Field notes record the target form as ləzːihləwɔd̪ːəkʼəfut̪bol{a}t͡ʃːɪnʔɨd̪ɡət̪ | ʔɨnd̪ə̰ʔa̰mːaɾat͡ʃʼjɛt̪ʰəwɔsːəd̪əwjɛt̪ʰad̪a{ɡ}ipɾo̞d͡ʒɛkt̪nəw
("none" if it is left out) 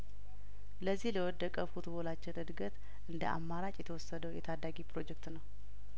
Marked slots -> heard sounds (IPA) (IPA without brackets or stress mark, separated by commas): a, ɡ